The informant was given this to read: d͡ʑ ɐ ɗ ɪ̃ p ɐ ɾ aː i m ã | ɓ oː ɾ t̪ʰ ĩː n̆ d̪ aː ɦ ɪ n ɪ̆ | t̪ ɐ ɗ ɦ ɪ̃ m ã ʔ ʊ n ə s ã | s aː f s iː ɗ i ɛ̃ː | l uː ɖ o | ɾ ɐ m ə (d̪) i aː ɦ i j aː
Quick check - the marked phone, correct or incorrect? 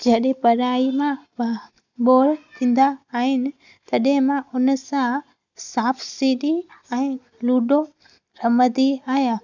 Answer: correct